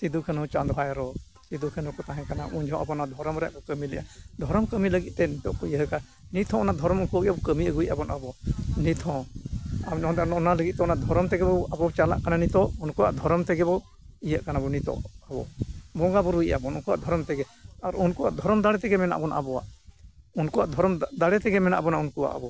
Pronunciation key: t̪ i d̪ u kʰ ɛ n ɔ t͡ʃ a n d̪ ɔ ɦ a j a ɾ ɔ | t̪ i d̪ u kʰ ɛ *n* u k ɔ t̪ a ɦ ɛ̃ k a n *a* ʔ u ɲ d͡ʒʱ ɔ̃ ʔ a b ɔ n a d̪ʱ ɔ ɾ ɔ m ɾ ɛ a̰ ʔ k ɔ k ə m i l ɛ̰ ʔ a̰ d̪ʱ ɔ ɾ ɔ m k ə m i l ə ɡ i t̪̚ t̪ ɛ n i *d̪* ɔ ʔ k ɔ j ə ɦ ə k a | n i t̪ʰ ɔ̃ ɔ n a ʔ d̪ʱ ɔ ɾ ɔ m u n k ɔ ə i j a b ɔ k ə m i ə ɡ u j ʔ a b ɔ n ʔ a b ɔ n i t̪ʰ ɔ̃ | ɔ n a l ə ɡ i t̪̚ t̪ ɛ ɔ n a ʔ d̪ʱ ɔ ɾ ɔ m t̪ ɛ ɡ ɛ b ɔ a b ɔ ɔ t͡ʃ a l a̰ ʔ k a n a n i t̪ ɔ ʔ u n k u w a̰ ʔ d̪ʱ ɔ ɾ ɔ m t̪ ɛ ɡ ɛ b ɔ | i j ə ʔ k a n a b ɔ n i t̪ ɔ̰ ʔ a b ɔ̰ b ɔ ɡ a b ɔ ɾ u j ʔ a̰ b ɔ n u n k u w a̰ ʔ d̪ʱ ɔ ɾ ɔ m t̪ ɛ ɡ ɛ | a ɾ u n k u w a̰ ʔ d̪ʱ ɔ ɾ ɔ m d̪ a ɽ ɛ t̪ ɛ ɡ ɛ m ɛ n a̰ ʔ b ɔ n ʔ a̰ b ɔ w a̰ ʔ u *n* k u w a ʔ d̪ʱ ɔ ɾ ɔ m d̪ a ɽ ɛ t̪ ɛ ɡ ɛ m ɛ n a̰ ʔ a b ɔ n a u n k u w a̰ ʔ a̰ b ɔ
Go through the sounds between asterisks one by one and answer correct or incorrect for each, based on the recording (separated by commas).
correct, correct, incorrect, correct